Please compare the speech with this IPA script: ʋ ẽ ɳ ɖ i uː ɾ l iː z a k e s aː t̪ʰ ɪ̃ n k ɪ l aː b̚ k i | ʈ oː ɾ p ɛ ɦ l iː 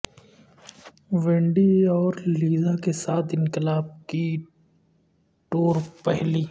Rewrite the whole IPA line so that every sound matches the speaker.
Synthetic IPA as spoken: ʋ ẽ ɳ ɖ i ɔː ɾ l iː z a k e s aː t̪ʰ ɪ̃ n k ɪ l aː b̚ k i | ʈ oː ɾ p ɛ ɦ l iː

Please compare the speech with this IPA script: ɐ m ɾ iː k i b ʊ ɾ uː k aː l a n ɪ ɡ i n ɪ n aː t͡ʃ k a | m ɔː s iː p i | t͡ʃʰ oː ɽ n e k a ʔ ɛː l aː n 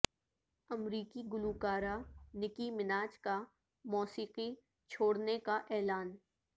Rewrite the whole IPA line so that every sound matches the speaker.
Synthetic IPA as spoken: ɐ m ɾ iː k i ɡ ʊ l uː k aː ɾ a n ɪ k i m ɪ n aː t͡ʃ k a | m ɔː s iː q i | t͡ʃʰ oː ɽ n e k a ʔ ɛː l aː n

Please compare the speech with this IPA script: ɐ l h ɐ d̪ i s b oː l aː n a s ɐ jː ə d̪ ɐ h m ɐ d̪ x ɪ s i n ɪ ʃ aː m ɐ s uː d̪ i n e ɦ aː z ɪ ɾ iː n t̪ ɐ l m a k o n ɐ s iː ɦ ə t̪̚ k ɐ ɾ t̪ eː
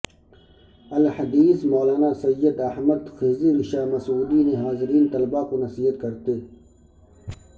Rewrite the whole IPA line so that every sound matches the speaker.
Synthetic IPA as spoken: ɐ l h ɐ d̪ iː s m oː l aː n a s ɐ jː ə d̪ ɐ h m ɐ d̪ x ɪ z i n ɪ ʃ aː m ɐ s uː d̪ i n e ɦ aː z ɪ ɾ iː n t̪ ɐ l b a k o n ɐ s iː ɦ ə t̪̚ k ɐ ɾ t̪ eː

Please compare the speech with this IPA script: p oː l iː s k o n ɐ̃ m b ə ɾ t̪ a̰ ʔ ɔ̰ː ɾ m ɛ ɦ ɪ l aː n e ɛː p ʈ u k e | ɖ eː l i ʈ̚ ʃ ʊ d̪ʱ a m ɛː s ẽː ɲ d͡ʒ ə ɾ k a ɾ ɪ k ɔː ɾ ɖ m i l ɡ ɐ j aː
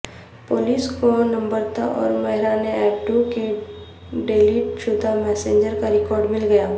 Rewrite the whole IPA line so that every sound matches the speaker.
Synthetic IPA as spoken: p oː l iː s k o n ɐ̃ m b ə ɾ t̪ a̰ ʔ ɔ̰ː ɾ m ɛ ɦ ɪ ɾ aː n e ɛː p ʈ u k e | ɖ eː l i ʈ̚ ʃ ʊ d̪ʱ a m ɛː s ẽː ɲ d͡ʒ ə ɾ k a ɾ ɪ k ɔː ɾ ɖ m ɪ l ɡ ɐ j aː

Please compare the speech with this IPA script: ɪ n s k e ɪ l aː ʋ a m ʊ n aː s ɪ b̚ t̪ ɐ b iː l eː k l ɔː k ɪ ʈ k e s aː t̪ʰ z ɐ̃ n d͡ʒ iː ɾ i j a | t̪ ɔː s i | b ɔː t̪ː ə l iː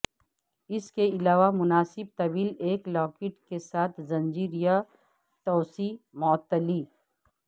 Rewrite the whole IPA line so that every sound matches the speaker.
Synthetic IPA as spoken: ɪ s k e ɪ l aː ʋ a m ʊ n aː s ɪ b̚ t̪ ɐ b iː l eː k l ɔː k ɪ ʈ k e s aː t̪ʰ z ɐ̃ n d͡ʒ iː ɾ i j a | t̪ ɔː s i | m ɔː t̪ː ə l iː

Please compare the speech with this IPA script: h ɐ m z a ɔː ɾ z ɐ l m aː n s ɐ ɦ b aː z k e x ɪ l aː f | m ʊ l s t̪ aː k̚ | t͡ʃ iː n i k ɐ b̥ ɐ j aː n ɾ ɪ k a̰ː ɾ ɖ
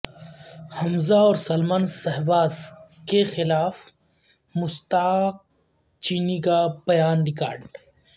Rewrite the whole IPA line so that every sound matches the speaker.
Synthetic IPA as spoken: h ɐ m z a ɔː ɾ s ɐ l m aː n s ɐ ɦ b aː z k e x ɪ l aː f | m ʊ s t̪ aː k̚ | t͡ʃ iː n i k a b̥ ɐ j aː n ɾ ɪ k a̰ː ɾ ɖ

